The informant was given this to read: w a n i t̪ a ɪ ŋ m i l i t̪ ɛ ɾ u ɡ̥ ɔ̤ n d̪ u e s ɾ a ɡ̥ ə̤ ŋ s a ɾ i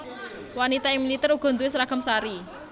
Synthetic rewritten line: w a n i t̪ a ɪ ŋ m i l i t̪ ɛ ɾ u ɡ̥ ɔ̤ n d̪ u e s ɾ a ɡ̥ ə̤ m s a ɾ i

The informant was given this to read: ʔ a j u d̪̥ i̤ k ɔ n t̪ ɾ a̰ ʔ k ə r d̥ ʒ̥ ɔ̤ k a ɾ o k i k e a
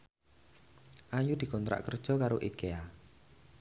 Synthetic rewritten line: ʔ a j u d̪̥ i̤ k ɔ n t̪ ɾ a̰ ʔ k ə r d̥ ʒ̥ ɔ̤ k a ɾ o ʔ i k e a

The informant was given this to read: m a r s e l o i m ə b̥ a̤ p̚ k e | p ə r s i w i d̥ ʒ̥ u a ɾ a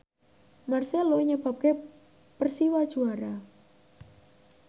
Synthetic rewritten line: m a r s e l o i ɲ ə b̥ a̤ p̚ k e | p ə r s i w a d̥ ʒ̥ u a ɾ a

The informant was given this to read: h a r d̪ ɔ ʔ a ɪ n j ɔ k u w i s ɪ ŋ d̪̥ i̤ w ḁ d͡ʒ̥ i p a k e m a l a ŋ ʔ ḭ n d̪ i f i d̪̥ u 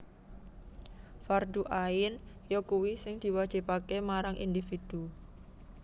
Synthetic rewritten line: f a r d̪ u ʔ a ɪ n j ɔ k u w i s ɪ ŋ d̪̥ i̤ w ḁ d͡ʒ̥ i p a k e m a ɾ a ŋ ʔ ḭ n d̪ i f i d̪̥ u

